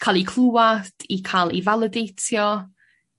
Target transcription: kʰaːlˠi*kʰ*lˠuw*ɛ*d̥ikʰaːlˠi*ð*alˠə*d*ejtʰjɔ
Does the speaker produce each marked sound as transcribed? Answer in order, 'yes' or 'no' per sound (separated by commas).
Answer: yes, no, no, yes